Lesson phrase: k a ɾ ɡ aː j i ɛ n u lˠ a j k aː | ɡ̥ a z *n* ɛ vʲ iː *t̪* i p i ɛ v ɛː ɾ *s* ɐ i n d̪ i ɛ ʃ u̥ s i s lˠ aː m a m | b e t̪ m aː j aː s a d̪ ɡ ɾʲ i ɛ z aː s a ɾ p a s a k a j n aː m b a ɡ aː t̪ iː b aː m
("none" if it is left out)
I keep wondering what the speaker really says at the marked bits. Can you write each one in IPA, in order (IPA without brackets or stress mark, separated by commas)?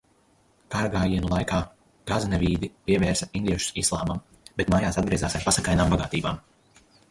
n, d̪, s